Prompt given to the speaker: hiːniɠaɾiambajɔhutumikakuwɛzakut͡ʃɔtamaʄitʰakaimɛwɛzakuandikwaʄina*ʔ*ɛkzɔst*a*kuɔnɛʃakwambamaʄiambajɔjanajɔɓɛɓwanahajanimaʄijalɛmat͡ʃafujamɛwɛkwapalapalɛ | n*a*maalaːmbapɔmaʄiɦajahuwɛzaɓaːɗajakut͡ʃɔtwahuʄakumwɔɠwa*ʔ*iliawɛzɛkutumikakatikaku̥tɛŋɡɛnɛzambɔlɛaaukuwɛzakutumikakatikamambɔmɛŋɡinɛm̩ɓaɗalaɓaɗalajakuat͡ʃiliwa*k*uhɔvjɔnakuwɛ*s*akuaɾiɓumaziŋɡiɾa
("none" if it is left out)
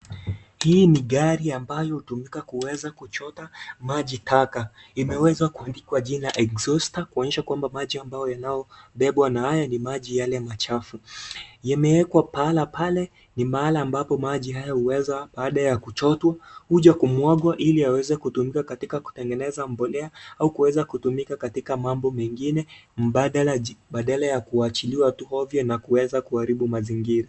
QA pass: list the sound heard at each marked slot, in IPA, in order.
ʔ, a, i, ʔ, t, z

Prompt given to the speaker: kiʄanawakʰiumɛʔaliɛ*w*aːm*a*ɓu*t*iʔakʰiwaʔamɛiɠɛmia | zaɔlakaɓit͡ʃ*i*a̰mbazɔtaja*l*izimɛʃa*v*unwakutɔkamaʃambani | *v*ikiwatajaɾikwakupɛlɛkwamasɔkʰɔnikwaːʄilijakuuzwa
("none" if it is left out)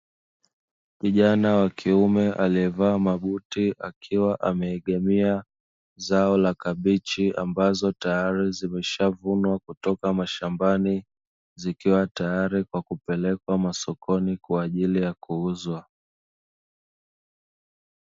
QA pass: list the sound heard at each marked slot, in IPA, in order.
v, a, t, i, ɾ, v, z

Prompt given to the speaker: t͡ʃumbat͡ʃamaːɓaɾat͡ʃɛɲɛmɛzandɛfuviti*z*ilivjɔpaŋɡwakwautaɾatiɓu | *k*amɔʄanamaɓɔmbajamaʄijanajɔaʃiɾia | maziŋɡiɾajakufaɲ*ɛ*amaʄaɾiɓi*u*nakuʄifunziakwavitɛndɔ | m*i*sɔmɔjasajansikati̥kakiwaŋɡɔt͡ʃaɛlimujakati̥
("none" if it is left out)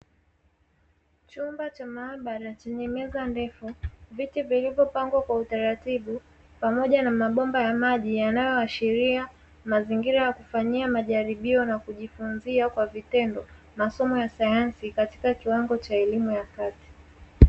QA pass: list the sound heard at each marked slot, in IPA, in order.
v, p, i, ɔ, a

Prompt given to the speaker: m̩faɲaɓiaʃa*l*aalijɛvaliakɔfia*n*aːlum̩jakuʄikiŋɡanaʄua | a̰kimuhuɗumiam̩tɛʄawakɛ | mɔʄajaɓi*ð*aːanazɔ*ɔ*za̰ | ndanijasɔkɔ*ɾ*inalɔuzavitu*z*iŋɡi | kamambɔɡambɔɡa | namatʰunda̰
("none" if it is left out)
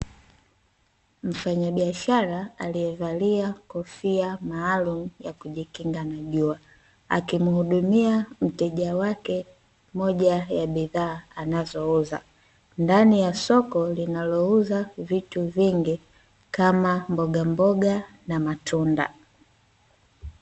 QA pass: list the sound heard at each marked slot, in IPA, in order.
ɾ, m, ð, u, l, v

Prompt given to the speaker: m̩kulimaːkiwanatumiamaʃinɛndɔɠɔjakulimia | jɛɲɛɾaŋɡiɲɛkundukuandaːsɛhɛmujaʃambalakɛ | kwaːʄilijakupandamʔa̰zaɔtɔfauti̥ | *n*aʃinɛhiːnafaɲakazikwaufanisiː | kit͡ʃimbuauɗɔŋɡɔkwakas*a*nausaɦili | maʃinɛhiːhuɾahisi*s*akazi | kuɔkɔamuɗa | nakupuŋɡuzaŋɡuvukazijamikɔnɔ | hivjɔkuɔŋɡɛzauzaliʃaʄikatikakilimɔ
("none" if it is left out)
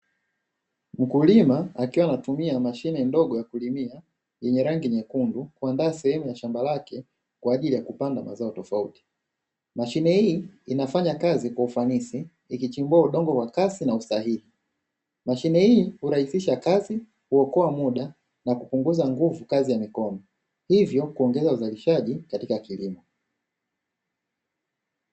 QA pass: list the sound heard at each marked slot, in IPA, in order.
m, i, ʃ

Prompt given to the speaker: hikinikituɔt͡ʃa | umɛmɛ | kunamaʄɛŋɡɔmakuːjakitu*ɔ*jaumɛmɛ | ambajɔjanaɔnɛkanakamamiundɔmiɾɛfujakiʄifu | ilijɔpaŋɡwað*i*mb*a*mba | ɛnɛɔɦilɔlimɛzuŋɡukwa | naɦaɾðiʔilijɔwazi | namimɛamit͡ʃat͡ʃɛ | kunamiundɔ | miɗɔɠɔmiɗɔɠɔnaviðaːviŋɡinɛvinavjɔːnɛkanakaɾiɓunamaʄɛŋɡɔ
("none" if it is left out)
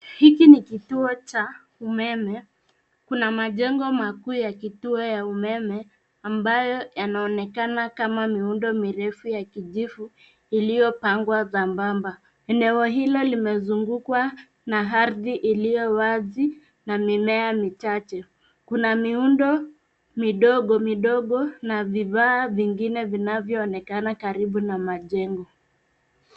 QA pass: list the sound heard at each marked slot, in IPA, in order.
ɔ, a, a

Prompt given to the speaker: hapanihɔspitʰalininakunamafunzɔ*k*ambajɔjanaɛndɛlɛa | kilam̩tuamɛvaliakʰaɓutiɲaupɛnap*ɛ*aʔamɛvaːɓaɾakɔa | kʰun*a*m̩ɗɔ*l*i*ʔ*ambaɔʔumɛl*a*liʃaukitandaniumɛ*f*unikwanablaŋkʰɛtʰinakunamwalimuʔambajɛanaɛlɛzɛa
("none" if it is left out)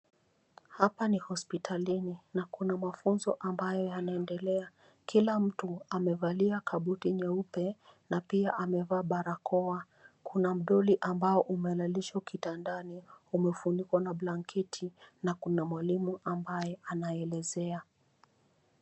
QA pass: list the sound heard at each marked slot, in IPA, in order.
ʔ, i, a, l, ʔ, a, f

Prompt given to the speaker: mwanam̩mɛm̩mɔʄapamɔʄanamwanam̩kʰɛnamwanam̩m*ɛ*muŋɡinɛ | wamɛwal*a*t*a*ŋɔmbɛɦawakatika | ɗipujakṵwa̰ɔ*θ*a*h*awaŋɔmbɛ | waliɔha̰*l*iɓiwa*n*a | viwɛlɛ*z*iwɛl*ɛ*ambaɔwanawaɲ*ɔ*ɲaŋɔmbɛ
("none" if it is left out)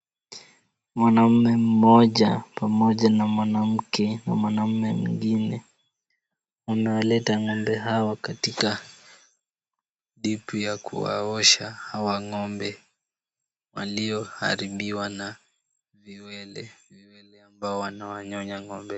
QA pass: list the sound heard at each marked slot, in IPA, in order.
ɛ, ɛ, a, ʃ, h, ɾ, n, v, ɛ, ɔ

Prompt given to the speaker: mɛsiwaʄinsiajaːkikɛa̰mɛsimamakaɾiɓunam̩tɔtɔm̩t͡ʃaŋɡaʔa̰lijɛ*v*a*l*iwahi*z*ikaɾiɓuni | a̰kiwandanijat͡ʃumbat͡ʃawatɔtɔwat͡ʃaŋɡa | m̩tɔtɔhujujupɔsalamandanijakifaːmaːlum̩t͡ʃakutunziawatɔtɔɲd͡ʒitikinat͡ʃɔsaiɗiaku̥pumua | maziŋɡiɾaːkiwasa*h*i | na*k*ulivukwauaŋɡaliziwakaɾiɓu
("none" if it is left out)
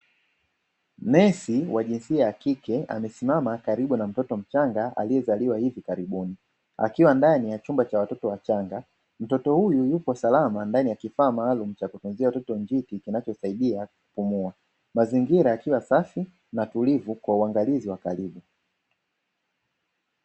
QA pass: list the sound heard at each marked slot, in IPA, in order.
z, l, v, f, t

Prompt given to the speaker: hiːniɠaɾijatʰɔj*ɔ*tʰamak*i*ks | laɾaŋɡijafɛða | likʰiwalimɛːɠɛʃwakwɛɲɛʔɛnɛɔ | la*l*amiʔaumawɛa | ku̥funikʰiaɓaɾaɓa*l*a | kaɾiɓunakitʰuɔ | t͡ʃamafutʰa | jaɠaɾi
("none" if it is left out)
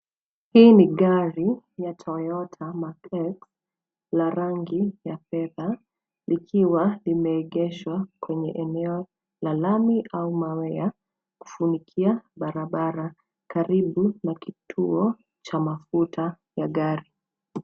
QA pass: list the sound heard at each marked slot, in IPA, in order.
ɔ, ɛ, l, ɾ

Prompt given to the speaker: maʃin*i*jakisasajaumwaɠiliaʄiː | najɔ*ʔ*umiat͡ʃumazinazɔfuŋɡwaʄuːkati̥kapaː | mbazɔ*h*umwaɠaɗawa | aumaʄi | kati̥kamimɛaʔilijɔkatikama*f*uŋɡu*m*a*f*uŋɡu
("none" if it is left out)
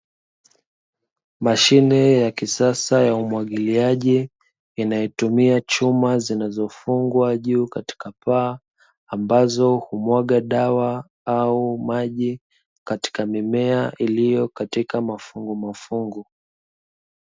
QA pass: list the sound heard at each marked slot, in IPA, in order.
ɛ, t, h, f, m, f

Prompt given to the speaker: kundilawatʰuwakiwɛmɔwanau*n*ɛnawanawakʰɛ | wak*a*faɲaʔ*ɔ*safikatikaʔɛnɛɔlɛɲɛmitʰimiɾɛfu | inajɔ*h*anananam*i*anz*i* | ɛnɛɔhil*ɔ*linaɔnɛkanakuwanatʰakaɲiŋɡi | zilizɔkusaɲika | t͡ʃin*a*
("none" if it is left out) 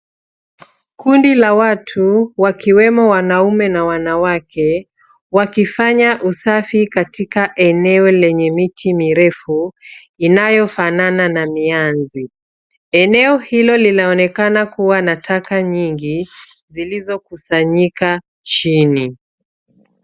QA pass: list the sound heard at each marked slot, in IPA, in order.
m, i, u, f, i, i, ɔ, i

